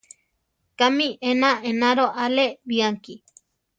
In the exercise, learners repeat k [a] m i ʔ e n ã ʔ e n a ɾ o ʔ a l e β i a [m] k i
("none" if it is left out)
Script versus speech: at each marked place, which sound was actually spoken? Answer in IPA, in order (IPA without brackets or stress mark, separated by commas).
a, ŋ